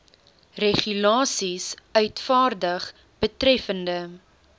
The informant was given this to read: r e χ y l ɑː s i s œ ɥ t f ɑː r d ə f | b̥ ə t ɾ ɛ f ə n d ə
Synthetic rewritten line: r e χ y l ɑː s i s œ ɥ t f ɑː r d ə χ | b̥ ə t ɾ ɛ f ə n d ə